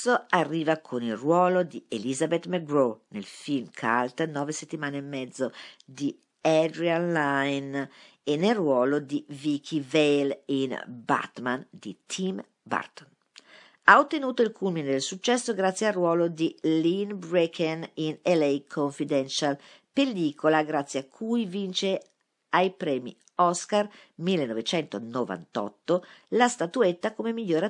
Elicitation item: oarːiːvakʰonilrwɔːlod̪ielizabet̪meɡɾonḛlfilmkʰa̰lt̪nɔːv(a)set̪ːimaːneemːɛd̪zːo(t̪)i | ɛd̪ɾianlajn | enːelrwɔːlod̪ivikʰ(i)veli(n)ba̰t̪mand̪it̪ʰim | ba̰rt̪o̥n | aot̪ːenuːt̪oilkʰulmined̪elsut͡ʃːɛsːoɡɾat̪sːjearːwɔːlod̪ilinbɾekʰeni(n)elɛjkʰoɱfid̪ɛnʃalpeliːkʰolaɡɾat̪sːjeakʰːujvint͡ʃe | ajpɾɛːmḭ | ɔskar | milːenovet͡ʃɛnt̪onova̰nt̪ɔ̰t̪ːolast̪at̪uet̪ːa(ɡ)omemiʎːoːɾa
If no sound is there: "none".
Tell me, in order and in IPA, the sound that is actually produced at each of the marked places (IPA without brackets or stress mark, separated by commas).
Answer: e, d̪, i, n, n, k